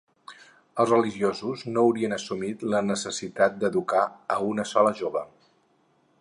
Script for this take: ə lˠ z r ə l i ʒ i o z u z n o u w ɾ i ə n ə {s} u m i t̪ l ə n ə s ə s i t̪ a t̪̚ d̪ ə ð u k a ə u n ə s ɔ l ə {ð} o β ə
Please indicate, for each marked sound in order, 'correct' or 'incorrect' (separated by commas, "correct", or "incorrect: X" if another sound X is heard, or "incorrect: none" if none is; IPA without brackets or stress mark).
correct, incorrect: ʒ